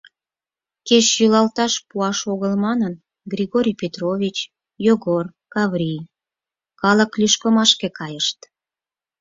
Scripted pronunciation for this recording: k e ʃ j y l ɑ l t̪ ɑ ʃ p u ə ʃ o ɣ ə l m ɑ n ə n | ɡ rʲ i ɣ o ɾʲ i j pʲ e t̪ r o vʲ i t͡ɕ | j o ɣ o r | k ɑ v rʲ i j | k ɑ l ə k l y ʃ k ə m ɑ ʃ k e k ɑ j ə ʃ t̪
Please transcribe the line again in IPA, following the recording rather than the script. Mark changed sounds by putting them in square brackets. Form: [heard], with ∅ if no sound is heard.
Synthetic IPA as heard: k e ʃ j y l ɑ l t̪ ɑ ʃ p u [ɑ] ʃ o ɣ ə l m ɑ n ə n | ɡ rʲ i ɣ o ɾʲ i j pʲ e t̪ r o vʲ i t͡ɕ | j o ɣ o r | k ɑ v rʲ i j | k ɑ l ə k l y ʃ k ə m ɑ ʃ k e k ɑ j ə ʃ t̪

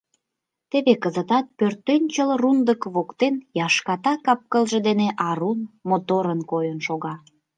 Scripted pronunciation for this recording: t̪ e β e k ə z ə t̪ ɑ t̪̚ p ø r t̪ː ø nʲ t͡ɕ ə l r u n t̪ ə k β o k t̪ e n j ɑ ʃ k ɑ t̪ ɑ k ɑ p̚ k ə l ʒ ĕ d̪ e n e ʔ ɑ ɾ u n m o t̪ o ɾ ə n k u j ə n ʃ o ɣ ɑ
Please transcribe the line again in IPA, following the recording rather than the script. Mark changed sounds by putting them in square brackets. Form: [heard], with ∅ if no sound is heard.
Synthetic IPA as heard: t̪ e β e k ə z ə t̪ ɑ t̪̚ p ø r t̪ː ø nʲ t͡ɕ ə l r u n [d̪] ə k β o k t̪ e n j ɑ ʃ k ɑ t̪ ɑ k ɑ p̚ k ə l ʒ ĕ d̪ e n e ʔ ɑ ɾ u n m o t̪ o ɾ ə n k [o] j ə n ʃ o ɣ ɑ

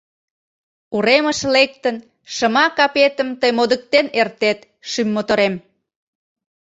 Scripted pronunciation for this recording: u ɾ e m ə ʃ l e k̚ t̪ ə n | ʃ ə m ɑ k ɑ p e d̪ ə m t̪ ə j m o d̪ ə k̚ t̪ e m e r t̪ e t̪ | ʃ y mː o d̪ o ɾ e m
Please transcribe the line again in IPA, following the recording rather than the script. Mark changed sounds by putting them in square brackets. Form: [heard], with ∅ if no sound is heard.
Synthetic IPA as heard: u ɾ e m ə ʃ l e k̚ t̪ ə n | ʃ ə m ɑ k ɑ p e [t̪] ə m t̪ ə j m o d̪ ə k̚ t̪ e [n] e r t̪ e t̪ | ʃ y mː o [t̪] o ɾ e m

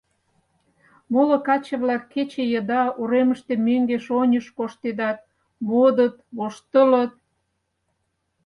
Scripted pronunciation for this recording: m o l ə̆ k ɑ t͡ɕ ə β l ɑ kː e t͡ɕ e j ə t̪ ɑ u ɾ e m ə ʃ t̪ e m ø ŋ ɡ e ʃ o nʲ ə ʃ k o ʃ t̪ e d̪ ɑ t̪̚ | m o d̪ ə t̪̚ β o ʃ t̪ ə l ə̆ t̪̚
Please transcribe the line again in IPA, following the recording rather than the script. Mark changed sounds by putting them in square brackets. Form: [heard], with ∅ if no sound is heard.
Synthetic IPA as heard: m o l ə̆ k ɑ t͡ɕ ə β l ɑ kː e t͡ɕ e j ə [d̪] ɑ u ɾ e m ə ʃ t̪ e m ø ŋ ɡ e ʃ o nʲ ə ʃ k o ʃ t̪ e d̪ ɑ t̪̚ | m o d̪ ə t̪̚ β o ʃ t̪ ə l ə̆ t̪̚

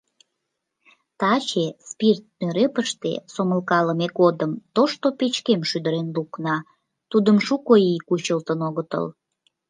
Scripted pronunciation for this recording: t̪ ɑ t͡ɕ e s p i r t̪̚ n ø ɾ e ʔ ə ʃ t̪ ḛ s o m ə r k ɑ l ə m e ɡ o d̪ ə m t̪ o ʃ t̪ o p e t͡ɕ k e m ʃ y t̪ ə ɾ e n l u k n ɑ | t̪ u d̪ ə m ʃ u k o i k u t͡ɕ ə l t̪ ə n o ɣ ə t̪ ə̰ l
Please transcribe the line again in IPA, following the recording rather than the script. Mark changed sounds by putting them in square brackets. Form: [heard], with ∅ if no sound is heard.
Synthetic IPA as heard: t̪ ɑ t͡ɕ e s p i r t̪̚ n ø ɾ e [p] ə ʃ t̪ ḛ s o m ə [l] k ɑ l ə m e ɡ o d̪ ə m t̪ o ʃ t̪ o p e t͡ɕ k e m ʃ y [d̪] ə ɾ e n l u k n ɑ | t̪ u d̪ ə m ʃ u k o i k u t͡ɕ ə l t̪ ə n o ɣ ə t̪ ə̰ l

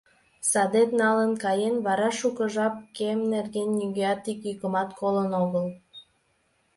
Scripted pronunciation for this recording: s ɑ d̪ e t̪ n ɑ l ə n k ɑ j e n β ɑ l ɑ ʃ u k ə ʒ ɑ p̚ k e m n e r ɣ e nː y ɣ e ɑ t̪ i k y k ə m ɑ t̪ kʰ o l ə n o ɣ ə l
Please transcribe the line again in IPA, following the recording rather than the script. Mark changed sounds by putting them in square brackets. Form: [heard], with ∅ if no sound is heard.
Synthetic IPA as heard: s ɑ d̪ e t̪ n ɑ l ə n k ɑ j e n β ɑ [ɾ] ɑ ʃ u k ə ʒ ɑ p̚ k e m n e r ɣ e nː y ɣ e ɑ t̪ i k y k ə m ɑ t̪ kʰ o l ə n o ɣ ə l

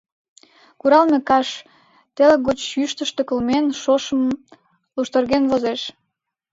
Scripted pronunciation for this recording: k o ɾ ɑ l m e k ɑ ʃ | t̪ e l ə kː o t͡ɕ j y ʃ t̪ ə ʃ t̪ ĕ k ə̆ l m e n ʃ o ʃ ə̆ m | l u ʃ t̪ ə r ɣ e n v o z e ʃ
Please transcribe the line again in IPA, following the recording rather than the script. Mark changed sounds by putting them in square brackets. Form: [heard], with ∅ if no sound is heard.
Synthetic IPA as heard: k [u] ɾ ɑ l m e k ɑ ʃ | t̪ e l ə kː o t͡ɕ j y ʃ t̪ ə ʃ t̪ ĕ k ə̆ l m e n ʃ o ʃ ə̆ m | l u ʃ t̪ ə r ɣ e n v o z e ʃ

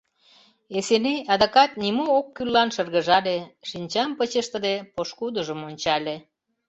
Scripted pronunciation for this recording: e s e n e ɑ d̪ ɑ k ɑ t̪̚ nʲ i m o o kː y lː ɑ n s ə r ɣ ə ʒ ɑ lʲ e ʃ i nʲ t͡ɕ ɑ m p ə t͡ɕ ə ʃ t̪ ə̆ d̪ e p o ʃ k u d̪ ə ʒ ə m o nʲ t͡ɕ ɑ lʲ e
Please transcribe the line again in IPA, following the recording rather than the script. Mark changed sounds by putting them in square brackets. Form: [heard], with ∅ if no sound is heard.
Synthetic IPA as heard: e s e n e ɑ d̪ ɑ k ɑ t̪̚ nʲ i m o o kː y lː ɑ n [ʃ] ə r ɣ ə ʒ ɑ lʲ e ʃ i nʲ t͡ɕ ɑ m p ə t͡ɕ ə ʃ t̪ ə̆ d̪ e p o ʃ k u d̪ ə ʒ ə m o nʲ t͡ɕ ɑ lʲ e

